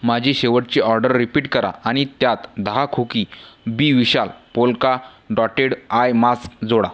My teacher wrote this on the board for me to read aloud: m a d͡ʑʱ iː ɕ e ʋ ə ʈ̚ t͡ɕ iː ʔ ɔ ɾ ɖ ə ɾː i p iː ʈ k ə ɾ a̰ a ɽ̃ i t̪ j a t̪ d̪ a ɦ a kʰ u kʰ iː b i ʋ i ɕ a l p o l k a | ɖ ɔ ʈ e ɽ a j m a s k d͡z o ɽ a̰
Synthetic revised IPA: m a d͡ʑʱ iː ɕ e ʋ ə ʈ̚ t͡ɕ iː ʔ ɔ ɾ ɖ ə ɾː i p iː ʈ k ə ɾ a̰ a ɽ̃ i t̪ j a t̪ d̪ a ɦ a kʰ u k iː b i ʋ i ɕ a l p o l k a | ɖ ɔ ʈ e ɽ a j m a s k d͡z o ɽ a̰